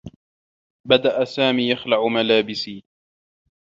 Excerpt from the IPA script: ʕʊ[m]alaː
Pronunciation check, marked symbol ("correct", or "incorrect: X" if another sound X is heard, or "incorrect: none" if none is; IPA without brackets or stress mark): correct